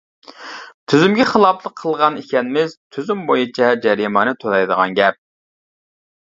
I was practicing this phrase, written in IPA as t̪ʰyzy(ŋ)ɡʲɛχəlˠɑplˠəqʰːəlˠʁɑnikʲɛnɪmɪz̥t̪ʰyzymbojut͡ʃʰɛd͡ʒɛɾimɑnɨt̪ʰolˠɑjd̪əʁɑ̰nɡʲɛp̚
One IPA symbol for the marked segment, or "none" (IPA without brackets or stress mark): m